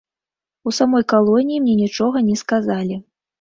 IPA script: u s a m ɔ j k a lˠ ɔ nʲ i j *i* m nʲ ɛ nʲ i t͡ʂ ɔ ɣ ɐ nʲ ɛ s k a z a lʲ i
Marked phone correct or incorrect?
correct